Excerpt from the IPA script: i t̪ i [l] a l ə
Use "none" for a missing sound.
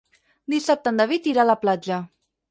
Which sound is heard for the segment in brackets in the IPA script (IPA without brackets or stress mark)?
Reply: ɾ